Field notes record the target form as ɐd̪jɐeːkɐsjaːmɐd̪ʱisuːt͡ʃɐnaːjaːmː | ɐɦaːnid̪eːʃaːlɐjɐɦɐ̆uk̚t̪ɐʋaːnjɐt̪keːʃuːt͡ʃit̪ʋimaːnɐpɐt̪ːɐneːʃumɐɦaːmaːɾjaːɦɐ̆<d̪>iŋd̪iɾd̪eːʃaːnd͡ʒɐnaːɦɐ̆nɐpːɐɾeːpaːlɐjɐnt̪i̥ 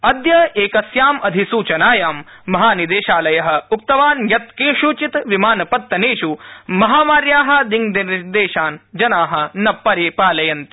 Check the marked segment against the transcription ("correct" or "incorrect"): correct